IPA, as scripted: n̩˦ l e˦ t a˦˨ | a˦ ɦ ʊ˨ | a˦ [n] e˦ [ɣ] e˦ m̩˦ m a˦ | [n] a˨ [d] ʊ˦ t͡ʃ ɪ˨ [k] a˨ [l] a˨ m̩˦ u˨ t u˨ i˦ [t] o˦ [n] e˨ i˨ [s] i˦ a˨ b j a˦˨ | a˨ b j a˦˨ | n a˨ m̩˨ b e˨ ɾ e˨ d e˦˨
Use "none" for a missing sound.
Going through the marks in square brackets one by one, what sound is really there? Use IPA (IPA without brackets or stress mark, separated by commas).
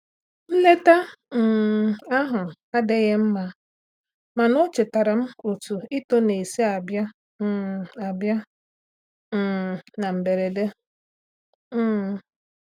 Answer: d, ɣ, m, n, t, ɾ, t, n, s